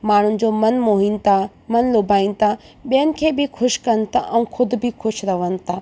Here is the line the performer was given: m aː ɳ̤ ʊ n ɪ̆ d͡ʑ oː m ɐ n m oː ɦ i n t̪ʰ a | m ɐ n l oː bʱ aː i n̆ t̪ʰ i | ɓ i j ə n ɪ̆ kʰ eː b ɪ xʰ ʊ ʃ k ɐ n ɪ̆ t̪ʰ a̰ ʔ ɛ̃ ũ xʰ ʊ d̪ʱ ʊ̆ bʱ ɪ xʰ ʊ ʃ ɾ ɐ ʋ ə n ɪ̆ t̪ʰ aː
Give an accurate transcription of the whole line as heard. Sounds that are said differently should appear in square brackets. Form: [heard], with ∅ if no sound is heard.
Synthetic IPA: m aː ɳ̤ ʊ n ɪ̆ d͡ʑ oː m ɐ n m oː ɦ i n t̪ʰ a | m ɐ n l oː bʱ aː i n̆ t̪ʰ [a] | ɓ i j ə n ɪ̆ kʰ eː b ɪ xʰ ʊ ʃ k ɐ n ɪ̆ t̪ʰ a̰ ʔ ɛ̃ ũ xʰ ʊ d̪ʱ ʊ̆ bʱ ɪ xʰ ʊ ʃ ɾ ɐ ʋ ə n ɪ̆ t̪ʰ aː